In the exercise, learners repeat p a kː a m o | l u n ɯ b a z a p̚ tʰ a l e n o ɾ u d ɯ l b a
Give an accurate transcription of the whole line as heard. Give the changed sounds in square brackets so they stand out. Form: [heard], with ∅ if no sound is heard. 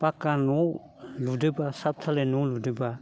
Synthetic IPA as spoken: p a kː a [n] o | l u [d] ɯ b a [s] a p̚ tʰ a l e n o [l] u d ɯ [∅] b a